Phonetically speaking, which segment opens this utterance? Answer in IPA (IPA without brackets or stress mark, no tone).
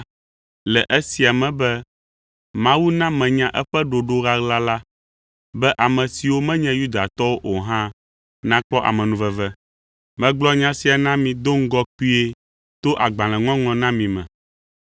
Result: l